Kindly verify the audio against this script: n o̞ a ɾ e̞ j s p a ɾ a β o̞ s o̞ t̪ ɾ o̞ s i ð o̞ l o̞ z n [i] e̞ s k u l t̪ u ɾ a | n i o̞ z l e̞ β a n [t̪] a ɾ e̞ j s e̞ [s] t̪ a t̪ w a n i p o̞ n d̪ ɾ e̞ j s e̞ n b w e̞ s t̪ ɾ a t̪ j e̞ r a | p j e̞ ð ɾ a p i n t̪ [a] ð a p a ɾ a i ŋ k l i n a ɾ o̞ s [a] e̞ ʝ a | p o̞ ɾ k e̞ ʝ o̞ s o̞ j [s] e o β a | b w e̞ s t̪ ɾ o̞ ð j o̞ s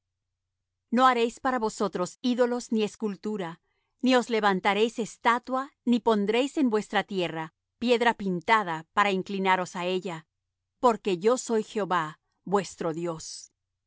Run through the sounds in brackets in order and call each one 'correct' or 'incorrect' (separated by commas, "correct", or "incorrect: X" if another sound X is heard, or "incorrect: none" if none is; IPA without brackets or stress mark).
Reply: correct, correct, correct, correct, correct, incorrect: x